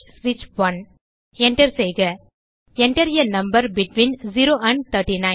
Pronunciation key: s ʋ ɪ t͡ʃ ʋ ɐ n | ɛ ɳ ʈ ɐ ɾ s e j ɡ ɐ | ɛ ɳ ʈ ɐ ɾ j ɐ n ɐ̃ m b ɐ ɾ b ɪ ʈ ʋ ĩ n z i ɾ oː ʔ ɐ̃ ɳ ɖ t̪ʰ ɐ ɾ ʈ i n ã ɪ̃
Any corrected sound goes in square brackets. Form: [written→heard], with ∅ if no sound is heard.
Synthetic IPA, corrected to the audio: s ʋ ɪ t͡ʃ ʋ ɐ n | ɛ ɳ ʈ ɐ ɾ s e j ɡ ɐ | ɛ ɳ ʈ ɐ ɾ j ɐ n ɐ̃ m b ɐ ɾ b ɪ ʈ ʋ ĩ n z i ɾ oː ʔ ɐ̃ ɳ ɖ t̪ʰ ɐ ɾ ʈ i n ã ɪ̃